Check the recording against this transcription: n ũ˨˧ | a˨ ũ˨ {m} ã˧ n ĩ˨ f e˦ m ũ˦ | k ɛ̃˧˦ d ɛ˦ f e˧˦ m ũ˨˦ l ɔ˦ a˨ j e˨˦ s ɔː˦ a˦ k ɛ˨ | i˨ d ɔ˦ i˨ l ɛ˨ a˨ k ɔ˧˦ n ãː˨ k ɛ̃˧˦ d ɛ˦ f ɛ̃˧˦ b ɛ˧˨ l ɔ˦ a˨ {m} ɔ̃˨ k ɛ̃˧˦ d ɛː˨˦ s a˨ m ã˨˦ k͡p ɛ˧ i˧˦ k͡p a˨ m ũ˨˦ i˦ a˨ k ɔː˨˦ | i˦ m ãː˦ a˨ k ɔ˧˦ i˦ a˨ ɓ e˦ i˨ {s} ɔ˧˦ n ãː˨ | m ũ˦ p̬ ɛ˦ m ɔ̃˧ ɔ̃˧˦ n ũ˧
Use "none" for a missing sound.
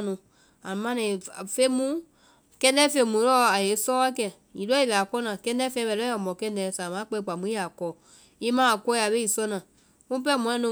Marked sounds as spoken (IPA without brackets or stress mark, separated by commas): m, m, s